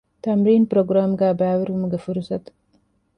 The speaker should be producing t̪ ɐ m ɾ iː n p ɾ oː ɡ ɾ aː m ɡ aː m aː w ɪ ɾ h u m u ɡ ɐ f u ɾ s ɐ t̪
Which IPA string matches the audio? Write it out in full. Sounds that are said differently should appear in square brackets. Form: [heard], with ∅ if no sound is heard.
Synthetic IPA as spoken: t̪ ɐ m ɾ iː n p ɾ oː ɡ ɾ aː m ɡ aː [b] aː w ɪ ɾ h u m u ɡ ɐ f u ɾ s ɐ t̪